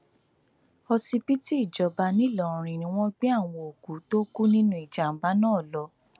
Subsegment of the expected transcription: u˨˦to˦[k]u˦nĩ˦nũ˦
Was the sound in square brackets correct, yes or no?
yes